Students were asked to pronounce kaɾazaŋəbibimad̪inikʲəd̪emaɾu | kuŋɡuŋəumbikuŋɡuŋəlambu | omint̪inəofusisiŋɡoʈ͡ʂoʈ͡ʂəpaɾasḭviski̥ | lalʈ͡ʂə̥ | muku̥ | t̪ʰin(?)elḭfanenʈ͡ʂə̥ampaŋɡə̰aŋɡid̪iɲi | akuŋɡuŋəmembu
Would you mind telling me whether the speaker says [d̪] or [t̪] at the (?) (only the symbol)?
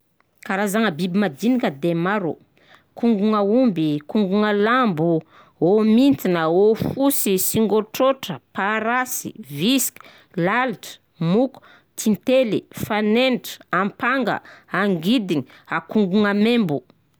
t̪